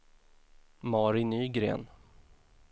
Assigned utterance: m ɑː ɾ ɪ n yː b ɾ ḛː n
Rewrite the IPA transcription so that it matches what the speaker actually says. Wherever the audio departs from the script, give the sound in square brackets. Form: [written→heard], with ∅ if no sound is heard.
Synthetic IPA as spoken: m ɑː ɾ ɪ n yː [b→ɡ] ɾ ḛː n